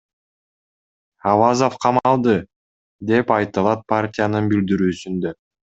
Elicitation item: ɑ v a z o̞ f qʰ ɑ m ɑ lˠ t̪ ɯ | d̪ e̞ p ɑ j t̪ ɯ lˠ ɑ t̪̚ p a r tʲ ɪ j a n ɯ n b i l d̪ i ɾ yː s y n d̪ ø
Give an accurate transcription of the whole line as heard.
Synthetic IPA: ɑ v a z o̞ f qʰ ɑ m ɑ lˠ d̪ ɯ | d̪ e̞ p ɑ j t̪ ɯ lˠ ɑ t̪̚ p a r tʲ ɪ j a n ɯ n b i l d̪ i ɾ yː s y n d̪ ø